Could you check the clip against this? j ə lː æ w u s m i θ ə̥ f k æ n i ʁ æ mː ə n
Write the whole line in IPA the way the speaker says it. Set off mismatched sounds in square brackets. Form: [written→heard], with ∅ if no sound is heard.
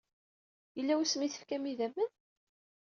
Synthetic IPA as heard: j ə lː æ w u s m i θ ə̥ f k æ [n→m] i [ʁ→ð] æ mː ə n